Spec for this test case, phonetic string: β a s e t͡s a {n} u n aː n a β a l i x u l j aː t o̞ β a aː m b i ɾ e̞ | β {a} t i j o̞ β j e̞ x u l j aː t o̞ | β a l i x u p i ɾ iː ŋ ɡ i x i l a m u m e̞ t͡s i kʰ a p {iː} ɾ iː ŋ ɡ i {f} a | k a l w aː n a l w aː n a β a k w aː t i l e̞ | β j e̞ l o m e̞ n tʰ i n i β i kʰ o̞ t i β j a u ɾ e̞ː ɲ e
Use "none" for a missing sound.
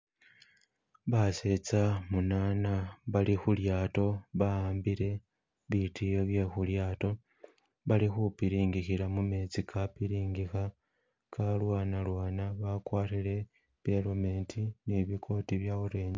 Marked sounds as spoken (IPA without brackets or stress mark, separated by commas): m, i, i, x